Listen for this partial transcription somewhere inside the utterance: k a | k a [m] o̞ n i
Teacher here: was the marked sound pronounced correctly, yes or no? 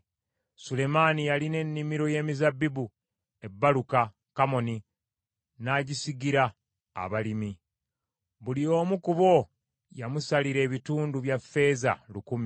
yes